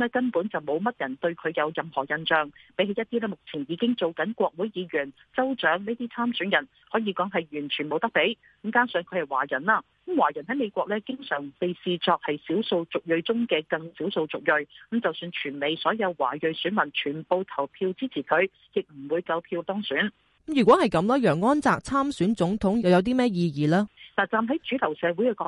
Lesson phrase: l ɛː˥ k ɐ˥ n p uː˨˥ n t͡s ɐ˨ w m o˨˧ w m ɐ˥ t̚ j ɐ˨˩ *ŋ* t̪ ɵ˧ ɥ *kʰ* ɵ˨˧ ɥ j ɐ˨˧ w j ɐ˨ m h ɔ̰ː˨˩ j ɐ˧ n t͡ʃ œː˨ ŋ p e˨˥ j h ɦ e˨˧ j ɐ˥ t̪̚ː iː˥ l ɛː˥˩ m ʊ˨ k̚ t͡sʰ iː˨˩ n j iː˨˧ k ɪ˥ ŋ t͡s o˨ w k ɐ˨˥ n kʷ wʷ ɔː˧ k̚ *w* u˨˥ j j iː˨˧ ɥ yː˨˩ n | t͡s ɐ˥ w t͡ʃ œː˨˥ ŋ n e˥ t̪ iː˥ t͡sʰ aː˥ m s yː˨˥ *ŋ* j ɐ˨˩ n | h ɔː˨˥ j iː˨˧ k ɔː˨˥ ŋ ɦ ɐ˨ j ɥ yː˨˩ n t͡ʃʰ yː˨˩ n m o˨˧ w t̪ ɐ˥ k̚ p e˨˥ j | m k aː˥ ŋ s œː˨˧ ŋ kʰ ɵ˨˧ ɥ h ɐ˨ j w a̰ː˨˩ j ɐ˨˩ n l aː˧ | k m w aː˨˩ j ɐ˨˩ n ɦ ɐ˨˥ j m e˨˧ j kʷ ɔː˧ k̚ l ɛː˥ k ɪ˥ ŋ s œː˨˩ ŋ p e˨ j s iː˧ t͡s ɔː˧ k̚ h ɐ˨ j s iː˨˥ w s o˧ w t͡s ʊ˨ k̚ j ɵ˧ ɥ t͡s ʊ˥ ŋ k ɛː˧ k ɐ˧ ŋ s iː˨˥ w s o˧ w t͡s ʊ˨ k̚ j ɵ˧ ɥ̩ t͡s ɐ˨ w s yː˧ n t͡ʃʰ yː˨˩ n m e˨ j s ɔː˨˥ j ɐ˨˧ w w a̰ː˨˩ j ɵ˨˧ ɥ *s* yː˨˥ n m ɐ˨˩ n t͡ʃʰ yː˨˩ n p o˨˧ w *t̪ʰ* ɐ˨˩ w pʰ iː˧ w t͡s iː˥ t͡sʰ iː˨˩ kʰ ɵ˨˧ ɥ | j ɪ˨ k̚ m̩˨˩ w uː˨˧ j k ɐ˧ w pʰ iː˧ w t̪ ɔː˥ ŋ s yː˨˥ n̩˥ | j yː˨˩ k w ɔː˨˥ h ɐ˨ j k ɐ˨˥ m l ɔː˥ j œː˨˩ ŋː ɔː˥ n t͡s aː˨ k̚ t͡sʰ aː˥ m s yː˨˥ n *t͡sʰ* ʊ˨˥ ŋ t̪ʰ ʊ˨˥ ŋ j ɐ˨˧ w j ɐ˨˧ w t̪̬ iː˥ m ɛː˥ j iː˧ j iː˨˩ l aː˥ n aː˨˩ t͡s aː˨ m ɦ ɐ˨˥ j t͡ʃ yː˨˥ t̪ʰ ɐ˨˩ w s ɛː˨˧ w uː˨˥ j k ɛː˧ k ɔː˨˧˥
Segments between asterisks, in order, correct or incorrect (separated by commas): incorrect, correct, correct, incorrect, correct, correct, incorrect